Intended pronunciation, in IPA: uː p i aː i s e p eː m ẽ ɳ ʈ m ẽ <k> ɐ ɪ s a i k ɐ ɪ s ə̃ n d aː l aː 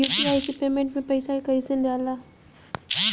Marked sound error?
yes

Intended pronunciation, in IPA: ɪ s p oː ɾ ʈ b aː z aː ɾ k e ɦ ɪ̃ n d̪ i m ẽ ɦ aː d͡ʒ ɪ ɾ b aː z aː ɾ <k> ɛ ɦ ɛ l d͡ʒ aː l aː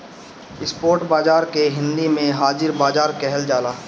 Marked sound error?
no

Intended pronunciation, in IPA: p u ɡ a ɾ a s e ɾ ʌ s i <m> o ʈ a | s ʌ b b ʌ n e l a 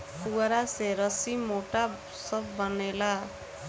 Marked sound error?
no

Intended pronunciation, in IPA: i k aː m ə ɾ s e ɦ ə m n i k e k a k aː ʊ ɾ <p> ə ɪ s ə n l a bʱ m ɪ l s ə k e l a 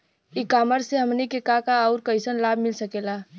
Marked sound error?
yes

